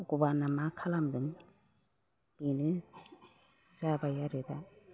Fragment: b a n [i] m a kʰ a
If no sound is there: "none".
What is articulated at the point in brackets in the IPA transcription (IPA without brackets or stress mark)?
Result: a